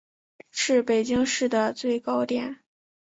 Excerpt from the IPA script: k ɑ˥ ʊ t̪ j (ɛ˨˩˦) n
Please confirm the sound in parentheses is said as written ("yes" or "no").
yes